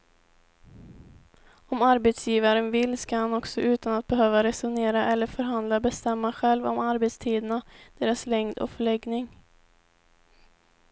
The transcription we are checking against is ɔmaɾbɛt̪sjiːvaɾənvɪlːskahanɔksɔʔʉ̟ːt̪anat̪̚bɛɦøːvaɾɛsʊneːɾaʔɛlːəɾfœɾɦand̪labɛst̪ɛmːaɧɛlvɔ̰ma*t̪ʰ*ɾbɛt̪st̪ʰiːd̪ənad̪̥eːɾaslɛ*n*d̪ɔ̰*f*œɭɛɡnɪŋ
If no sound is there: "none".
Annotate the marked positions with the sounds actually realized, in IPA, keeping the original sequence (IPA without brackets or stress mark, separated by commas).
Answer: none, ŋ, f